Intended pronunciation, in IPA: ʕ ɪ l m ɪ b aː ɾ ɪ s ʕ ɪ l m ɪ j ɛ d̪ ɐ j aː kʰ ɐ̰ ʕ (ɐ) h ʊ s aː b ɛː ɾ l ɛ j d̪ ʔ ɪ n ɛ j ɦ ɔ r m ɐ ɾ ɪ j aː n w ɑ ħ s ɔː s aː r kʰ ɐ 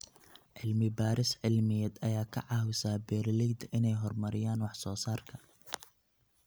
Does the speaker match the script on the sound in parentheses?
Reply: no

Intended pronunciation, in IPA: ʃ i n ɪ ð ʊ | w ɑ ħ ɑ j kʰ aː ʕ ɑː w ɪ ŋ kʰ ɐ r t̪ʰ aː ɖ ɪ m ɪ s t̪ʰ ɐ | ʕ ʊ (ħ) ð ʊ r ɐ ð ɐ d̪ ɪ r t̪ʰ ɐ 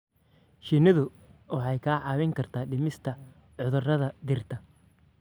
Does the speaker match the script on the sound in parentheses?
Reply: no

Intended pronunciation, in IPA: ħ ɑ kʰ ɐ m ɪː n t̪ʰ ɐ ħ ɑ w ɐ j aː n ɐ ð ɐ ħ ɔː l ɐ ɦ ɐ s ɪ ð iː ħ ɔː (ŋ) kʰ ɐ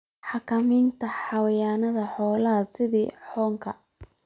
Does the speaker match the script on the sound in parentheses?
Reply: yes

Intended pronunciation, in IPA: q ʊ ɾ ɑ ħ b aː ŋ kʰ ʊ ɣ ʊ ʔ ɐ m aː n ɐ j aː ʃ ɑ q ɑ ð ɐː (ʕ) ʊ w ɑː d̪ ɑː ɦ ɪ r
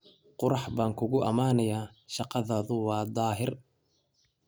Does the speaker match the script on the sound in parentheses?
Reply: no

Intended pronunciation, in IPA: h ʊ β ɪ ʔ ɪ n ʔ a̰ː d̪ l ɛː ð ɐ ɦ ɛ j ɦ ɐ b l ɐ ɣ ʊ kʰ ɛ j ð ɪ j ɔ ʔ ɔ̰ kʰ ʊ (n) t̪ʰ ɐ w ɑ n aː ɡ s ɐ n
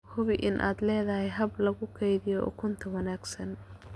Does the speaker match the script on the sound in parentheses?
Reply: yes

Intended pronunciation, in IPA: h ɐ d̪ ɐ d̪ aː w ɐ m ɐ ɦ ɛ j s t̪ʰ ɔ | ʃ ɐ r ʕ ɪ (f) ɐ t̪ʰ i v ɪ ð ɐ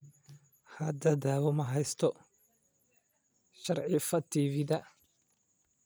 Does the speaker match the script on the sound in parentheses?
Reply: yes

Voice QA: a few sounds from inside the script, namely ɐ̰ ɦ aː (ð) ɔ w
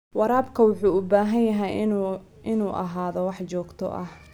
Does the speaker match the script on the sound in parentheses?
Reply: yes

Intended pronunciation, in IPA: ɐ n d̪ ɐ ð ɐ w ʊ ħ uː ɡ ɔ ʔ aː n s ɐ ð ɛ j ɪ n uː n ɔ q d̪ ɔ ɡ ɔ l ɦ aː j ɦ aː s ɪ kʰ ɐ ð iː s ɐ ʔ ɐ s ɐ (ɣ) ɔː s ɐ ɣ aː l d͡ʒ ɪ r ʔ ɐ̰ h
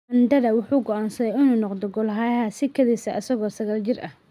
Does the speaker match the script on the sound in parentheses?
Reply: yes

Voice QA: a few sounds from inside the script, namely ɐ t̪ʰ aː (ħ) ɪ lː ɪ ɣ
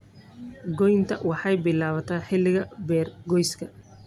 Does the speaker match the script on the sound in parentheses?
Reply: yes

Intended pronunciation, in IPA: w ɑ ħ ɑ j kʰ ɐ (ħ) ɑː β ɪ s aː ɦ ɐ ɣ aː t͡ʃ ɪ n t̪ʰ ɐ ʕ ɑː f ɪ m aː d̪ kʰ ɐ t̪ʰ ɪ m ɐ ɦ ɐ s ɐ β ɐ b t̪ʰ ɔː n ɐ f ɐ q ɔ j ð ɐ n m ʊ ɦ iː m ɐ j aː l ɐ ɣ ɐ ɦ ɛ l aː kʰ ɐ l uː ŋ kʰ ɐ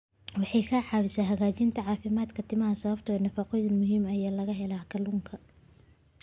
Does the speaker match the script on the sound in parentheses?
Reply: yes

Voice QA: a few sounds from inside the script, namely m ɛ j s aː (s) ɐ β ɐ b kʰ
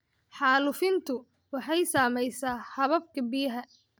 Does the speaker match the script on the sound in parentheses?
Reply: no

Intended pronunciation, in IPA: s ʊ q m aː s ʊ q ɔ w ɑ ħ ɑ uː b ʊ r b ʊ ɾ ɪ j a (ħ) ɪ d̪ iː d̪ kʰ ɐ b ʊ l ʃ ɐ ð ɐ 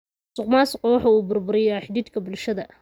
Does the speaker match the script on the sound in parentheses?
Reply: yes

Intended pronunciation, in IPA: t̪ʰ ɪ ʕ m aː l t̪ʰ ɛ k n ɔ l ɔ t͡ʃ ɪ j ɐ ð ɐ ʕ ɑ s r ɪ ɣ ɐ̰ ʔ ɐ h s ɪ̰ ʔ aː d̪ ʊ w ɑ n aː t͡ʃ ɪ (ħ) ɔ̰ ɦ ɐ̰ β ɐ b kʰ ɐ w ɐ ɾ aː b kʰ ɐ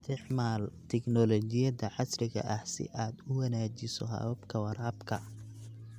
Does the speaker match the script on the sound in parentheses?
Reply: no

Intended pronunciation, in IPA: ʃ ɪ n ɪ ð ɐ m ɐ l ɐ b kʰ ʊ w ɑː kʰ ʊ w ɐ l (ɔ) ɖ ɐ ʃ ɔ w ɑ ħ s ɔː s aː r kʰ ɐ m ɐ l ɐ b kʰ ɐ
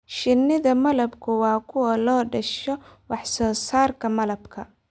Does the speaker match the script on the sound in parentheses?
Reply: no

